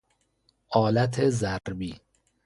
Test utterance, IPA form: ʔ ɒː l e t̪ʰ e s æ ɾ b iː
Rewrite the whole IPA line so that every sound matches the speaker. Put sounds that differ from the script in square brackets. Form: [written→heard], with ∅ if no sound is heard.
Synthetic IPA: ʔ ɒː l [e→æ] t̪ʰ e [s→z] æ ɾ b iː